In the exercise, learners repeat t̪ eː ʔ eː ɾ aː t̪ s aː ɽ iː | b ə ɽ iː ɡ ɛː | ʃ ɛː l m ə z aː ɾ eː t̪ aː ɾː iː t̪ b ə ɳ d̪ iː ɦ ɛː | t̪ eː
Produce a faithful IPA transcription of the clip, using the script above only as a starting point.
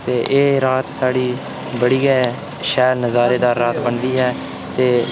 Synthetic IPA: t̪ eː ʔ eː ɾ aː t̪ s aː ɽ iː | b ə ɽ iː ɡ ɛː | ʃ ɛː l n ə z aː ɾ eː d̪ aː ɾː aː t̪ b ə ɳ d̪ iː ɦ ɛː | t̪ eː